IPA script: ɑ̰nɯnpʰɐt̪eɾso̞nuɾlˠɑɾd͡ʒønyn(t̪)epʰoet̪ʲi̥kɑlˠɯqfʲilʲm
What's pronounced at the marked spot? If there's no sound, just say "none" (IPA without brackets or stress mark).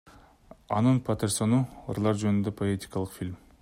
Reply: d̪